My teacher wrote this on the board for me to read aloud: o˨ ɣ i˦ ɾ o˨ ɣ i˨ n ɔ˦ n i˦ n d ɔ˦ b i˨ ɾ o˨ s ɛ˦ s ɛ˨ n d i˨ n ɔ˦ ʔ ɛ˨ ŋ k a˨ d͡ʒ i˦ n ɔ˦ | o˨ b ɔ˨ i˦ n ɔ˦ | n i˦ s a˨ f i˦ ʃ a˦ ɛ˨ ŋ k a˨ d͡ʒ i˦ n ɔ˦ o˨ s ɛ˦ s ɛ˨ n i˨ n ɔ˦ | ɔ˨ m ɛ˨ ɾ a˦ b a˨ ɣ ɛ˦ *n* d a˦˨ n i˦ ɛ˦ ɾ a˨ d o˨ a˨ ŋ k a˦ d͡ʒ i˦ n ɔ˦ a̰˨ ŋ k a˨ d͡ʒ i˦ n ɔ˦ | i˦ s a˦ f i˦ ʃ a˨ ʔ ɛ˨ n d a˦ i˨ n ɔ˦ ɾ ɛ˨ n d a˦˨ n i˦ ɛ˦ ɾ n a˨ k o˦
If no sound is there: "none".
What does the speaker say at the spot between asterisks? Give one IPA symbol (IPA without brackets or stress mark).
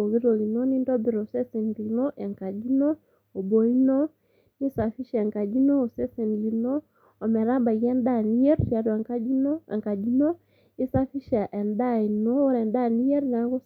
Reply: n